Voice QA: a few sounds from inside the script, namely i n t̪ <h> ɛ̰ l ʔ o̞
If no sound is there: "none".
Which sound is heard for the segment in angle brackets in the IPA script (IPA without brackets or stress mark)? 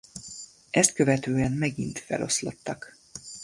f